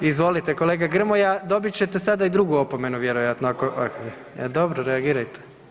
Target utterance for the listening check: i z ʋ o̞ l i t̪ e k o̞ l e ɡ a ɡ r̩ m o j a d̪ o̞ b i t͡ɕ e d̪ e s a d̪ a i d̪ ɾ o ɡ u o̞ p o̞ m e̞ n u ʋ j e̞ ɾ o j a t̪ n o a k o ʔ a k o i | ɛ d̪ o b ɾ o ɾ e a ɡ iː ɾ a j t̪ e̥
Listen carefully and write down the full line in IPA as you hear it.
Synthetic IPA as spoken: i z ʋ o̞ l i t̪ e k o̞ l e ɡ a ɡ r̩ m o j a d̪ o̞ b i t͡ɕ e t̪ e s a d̪ a i d̪ ɾ u ɡ u o̞ p o̞ m e̞ n u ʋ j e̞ ɾ o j a t̪ n o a k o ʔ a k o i | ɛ d̪ o b ɾ o ɾ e a ɡ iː ɾ a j t̪ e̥